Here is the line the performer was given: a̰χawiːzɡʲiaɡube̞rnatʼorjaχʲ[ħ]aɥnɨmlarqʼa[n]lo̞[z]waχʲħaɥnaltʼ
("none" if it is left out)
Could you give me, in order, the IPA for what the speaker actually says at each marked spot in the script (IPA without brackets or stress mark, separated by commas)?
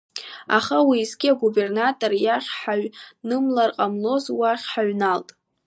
ħ, m, z